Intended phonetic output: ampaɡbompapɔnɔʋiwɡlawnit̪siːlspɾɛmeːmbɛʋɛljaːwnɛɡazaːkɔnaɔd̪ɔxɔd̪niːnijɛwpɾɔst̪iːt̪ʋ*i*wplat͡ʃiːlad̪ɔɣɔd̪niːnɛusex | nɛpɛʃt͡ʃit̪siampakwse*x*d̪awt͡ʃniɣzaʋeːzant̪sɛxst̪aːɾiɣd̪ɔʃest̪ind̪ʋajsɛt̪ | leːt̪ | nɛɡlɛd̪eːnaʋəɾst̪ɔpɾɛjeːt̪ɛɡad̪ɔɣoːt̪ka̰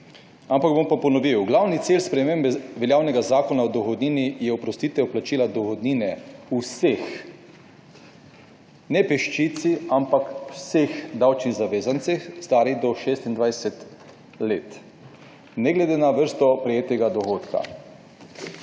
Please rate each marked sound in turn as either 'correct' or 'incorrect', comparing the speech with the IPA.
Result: incorrect, correct

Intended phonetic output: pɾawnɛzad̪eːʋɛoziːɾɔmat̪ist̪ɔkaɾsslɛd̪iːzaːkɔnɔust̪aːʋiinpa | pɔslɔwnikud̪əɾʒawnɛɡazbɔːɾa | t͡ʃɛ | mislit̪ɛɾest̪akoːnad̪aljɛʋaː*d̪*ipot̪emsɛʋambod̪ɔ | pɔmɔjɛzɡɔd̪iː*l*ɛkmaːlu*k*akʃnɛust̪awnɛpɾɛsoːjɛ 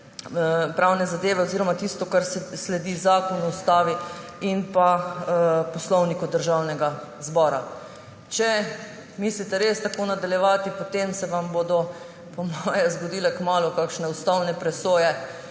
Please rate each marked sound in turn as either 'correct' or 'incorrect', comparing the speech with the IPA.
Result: incorrect, correct, correct

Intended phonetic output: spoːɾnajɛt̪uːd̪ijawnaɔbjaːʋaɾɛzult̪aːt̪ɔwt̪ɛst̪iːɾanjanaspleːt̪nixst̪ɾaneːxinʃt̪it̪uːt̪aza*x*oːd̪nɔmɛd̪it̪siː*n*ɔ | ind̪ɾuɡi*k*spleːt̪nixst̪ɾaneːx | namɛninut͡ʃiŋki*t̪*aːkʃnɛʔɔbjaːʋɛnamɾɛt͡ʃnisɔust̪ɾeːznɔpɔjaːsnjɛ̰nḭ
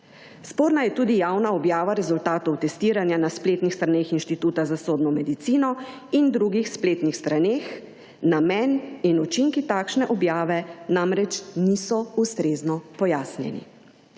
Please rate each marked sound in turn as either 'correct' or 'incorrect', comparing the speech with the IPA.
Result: incorrect, correct, incorrect, correct

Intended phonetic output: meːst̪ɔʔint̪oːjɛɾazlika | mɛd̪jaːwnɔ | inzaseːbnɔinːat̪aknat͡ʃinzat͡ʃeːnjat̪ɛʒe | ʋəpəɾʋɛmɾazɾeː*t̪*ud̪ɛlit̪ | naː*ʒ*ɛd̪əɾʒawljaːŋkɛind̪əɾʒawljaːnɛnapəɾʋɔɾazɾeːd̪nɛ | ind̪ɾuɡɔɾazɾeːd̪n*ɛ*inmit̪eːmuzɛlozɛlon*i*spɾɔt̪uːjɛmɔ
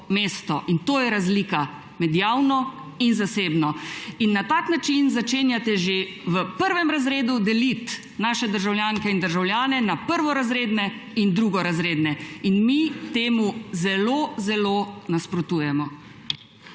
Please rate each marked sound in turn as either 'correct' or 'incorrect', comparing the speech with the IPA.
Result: incorrect, incorrect, correct, incorrect

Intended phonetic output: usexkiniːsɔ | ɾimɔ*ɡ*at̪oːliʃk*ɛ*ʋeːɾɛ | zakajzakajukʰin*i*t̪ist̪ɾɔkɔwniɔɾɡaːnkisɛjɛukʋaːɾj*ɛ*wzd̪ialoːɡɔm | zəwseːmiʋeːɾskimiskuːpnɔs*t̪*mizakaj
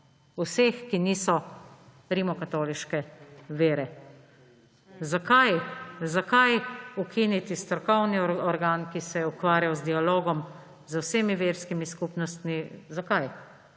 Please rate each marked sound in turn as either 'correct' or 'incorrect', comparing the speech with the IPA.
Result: incorrect, correct, correct, incorrect, correct

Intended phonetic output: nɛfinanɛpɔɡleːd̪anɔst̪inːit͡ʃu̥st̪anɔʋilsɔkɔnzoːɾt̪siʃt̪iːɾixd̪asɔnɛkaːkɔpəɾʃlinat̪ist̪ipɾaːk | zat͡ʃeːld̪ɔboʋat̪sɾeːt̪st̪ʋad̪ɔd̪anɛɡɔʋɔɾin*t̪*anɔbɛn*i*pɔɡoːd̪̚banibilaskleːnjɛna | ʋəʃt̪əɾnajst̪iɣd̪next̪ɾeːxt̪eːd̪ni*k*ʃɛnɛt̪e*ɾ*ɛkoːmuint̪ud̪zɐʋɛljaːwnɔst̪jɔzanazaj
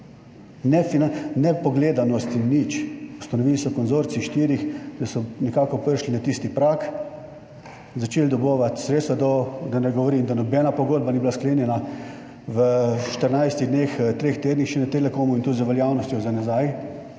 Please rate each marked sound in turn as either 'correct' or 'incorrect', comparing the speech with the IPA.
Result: incorrect, incorrect, incorrect, incorrect

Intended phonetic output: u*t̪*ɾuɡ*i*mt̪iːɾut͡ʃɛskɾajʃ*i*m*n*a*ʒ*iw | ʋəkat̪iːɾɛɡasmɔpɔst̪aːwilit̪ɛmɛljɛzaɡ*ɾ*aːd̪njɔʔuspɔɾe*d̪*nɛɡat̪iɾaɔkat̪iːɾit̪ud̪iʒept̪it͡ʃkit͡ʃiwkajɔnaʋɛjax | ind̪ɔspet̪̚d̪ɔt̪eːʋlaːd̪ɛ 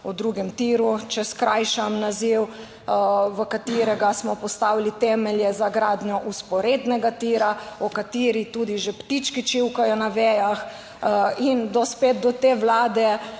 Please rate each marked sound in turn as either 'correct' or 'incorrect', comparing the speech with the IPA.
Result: incorrect, incorrect, incorrect, correct, incorrect, correct, correct

